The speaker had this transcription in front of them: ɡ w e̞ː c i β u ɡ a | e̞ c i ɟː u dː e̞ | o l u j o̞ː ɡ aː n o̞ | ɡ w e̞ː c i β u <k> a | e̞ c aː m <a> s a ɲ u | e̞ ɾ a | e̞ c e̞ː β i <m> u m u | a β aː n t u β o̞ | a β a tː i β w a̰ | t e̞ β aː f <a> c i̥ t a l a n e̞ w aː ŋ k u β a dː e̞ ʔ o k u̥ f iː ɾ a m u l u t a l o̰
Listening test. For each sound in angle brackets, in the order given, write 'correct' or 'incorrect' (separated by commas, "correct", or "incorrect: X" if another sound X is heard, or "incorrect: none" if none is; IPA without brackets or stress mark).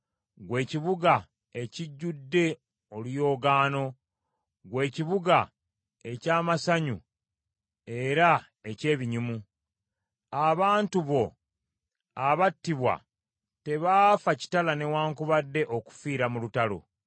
incorrect: ɡ, correct, incorrect: ɲ, correct